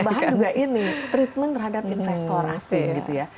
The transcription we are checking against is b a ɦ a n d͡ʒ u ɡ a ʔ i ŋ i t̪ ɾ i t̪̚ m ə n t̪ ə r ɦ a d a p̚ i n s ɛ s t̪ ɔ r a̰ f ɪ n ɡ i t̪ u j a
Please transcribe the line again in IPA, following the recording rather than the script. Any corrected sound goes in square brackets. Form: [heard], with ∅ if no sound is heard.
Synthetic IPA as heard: b a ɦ a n d͡ʒ u ɡ a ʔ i [n] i t̪ ɾ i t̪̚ m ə n t̪ ə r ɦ a d a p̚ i n [f] ɛ s t̪ ɔ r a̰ [s] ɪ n ɡ i t̪ u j a